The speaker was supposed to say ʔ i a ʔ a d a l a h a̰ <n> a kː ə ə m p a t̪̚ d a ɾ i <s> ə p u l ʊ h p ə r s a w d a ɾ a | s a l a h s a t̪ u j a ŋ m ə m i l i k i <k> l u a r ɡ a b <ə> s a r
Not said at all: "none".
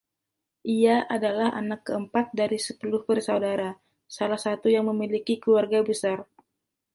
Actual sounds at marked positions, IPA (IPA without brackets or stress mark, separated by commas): n, s, k, ə